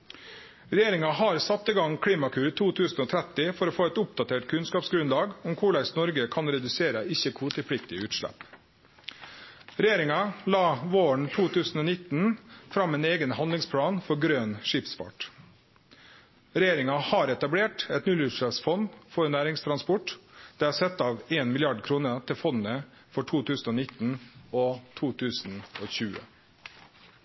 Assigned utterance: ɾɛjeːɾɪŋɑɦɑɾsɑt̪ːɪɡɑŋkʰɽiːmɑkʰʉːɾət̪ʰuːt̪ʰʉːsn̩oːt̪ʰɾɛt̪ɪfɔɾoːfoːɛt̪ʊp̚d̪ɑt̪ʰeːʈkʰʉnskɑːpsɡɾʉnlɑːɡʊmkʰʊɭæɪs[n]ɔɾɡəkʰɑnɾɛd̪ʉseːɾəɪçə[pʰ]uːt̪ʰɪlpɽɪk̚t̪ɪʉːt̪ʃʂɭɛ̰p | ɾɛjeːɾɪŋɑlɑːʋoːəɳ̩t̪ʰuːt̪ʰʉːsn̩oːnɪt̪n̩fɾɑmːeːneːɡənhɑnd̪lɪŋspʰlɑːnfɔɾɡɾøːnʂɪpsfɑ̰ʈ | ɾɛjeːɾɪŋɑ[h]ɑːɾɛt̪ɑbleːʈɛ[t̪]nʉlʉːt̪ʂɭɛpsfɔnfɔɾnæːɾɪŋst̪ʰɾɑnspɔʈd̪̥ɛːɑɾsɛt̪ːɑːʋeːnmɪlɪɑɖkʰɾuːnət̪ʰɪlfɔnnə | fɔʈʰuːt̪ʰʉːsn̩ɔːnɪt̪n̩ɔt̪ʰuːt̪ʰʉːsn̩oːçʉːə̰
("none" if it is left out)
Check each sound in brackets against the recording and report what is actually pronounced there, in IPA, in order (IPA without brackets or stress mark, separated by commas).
n, kʰ, h, t̪